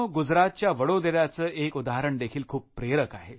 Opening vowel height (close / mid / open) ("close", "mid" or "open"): close